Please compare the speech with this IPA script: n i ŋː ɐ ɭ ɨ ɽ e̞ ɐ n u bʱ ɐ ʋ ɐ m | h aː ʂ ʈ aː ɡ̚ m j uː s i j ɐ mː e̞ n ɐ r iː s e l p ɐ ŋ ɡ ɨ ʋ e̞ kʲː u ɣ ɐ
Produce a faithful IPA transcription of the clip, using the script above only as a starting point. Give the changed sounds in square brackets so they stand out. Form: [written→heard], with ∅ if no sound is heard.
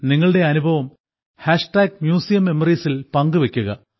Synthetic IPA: n i ŋː ɐ ɭ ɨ ɽ e̞ ɐ n u bʱ ɐ ʋ ɐ m | h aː ʂ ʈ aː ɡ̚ m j uː s i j ɐ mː e̞ [n→m] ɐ r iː s [e→i] l p ɐ ŋ ɡ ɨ ʋ e̞ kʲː u ɣ ɐ